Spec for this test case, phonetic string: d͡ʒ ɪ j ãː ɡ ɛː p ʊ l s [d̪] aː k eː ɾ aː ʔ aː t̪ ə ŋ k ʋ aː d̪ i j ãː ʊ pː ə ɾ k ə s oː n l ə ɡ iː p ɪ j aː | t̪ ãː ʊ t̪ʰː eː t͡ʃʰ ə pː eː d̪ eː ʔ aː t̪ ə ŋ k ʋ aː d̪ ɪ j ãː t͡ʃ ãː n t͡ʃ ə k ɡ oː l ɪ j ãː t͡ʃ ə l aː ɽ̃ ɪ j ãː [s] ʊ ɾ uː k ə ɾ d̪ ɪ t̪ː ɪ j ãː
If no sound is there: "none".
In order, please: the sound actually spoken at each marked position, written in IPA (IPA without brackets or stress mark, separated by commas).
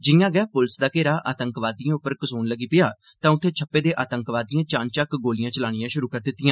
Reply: d̪, ʃ